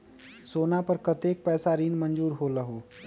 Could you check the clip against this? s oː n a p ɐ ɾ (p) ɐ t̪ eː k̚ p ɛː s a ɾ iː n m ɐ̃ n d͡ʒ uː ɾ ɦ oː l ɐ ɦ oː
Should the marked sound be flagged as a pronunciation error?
yes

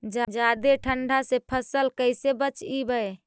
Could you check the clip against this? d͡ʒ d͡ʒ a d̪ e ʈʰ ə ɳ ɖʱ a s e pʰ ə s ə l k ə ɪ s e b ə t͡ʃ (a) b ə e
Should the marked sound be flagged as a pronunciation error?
yes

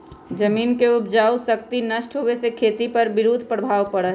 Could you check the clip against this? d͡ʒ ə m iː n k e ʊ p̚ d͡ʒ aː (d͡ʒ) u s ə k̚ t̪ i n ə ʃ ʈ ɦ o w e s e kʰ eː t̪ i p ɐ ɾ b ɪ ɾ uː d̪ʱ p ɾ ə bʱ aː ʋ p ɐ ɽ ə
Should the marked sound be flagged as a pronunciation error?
yes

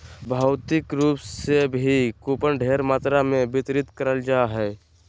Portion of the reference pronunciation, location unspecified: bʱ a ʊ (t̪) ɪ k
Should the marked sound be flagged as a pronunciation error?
no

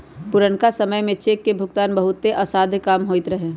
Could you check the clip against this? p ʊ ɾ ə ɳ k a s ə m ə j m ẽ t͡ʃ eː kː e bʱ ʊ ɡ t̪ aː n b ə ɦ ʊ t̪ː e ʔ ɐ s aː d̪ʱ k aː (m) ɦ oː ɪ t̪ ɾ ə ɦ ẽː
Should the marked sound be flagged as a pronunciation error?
no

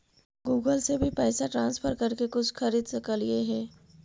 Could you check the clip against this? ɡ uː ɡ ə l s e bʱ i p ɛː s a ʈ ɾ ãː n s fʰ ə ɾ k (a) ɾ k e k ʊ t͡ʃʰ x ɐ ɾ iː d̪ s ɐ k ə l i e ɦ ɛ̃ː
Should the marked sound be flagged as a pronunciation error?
yes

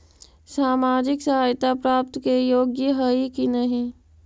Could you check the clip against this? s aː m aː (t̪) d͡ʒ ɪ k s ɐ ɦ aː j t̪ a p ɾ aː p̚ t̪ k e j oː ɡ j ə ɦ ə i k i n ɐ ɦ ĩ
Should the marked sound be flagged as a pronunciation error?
yes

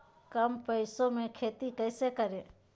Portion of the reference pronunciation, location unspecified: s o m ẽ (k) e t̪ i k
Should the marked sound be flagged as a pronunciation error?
yes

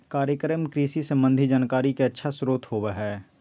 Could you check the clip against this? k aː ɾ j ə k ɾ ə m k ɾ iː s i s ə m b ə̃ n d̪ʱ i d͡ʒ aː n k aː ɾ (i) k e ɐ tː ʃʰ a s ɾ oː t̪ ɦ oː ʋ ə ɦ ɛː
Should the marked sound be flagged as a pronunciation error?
no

